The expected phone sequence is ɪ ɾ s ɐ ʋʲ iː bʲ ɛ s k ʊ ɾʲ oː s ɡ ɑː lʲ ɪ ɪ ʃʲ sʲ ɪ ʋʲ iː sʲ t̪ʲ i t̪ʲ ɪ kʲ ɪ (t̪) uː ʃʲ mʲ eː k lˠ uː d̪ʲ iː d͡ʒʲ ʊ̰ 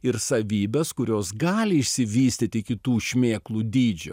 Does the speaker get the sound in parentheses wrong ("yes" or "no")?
no